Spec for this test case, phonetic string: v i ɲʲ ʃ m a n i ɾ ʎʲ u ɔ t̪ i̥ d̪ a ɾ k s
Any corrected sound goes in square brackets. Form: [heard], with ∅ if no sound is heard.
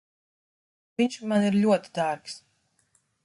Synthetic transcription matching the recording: v i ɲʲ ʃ m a n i ɾ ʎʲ u ɔ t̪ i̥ d̪ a ɾ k s